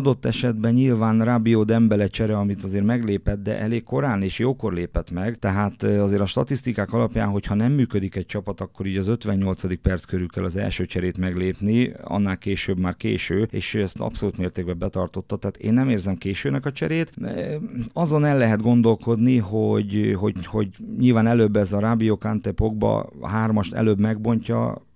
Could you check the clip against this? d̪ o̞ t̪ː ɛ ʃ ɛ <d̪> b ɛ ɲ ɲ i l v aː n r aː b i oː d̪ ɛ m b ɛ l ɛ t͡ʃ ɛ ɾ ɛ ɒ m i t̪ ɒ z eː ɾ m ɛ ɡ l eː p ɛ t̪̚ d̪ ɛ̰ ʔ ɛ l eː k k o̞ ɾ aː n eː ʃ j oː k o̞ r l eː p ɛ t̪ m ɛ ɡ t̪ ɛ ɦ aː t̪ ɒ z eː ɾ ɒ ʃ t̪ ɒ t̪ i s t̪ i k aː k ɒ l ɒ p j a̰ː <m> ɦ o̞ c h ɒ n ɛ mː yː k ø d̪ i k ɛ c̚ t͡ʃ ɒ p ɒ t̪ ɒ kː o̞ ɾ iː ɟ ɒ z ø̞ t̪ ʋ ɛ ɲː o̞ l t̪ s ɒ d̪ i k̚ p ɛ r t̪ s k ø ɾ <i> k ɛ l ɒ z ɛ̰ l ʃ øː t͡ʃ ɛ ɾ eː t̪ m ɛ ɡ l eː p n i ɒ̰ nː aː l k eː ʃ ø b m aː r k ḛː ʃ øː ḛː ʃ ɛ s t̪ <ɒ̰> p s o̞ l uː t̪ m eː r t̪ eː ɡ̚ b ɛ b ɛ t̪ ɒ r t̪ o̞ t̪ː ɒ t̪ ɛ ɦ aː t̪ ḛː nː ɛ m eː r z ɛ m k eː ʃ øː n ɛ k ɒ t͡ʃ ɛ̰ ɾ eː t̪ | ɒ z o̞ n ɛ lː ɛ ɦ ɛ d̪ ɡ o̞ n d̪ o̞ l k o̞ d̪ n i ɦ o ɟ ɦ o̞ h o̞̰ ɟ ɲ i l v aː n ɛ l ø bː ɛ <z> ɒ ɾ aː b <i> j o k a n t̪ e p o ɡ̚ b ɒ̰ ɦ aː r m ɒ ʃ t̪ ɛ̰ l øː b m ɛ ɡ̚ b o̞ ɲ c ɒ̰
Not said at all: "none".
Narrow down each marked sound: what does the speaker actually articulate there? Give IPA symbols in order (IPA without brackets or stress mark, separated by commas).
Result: d̪, n, y, ɒ̰, z, i